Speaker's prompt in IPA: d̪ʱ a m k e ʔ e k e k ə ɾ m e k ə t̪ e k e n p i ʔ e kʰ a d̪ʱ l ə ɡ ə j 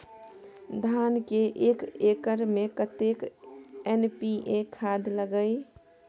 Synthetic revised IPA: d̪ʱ a n k e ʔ e k e k ə ɾ m e k ə t̪ e k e n p i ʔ e kʰ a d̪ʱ l ə ɡ ə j